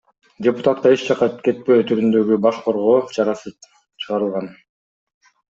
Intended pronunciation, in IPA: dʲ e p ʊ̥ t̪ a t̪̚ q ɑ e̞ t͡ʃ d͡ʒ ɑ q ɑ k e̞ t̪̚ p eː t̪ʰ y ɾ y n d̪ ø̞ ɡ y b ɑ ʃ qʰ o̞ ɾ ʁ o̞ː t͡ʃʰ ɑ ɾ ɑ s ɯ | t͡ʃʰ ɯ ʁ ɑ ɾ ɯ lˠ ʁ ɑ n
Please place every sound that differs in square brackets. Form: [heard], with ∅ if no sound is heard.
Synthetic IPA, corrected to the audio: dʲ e p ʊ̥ t̪ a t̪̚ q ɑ e̞ t͡ʃ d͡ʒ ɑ q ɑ k e̞ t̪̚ p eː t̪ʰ y ɾ y n d̪ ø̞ ɡ y b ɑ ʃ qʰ o̞ ɾ ʁ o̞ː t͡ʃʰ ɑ ɾ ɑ s ɯ | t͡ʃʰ ɯ ʁ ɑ ɾ ɯ lˠ ʁ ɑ n